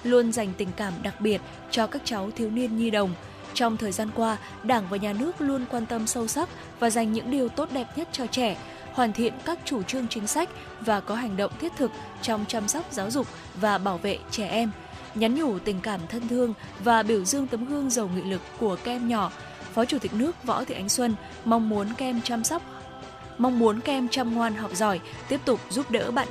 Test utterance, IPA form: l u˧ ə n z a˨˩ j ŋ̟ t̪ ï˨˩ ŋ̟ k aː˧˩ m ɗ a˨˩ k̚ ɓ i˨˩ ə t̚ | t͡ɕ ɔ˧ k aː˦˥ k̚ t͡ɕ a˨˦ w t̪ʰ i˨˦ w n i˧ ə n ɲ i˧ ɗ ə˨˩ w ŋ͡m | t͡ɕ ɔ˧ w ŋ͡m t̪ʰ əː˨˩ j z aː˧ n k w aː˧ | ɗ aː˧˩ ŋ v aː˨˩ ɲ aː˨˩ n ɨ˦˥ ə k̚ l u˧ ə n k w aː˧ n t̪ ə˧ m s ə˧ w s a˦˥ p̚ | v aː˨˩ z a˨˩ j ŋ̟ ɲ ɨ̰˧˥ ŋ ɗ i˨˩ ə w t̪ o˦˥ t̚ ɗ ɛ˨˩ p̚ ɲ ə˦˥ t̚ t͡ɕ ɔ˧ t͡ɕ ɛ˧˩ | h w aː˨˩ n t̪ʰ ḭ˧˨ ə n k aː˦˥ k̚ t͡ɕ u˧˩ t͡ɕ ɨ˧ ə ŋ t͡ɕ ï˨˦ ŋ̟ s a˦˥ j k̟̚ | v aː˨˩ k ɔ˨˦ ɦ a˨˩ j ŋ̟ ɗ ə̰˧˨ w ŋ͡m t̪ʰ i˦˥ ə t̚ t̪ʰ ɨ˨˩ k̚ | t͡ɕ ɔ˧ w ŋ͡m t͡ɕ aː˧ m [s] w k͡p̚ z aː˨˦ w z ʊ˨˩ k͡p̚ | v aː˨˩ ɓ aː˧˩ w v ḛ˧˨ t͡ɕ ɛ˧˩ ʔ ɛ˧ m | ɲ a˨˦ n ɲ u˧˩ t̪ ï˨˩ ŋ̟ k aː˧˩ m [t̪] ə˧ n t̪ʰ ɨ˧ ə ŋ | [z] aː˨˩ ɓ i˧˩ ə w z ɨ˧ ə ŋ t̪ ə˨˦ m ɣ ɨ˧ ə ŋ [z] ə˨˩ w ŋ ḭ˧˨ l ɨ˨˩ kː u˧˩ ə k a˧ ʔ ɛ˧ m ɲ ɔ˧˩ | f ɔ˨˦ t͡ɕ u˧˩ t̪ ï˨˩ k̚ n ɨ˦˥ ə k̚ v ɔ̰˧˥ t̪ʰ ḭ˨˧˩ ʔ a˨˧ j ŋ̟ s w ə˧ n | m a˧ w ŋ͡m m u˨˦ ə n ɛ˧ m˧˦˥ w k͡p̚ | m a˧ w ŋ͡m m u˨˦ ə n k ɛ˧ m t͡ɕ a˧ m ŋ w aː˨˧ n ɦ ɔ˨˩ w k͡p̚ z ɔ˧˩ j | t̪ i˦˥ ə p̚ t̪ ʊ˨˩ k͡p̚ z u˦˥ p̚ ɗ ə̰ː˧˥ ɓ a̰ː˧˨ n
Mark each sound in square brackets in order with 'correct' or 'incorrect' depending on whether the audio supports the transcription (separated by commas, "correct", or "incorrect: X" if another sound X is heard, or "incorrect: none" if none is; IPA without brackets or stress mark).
correct, incorrect: t̪ʰ, incorrect: v, correct